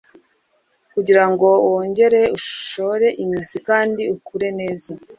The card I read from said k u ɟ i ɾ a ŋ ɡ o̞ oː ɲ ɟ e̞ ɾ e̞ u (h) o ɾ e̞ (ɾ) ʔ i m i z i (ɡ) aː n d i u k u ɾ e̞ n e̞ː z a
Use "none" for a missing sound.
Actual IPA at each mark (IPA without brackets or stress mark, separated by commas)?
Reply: ʃ, none, k